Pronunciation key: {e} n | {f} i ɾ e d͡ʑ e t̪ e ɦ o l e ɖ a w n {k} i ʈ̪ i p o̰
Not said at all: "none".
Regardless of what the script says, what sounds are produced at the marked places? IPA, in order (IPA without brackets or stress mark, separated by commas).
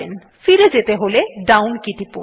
e, f, k